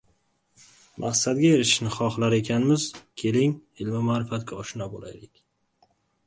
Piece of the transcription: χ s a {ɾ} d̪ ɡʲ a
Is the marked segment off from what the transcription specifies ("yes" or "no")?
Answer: yes